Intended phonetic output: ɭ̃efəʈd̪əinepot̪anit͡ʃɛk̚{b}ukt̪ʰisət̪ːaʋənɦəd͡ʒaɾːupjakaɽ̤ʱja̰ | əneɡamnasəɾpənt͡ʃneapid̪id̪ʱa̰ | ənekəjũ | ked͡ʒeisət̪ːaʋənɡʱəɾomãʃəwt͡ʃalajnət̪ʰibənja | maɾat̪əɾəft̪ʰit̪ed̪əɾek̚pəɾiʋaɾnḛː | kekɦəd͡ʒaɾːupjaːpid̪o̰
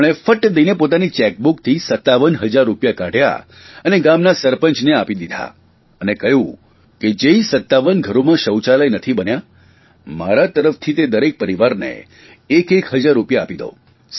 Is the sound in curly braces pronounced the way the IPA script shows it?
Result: yes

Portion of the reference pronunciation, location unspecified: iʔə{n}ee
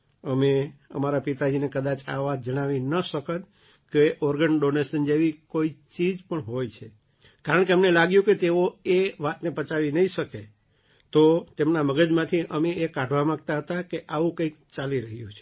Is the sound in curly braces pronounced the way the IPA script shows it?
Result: no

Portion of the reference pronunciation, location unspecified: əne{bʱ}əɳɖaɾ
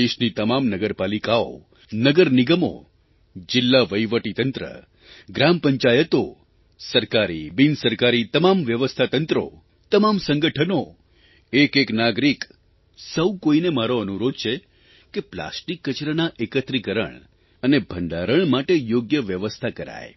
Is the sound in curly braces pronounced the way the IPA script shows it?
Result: yes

